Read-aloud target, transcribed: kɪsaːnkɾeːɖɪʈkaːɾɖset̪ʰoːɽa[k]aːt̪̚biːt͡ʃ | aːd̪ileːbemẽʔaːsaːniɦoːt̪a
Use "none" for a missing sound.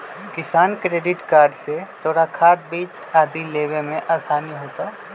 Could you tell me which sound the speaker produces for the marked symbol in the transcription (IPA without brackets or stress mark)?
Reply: kʰ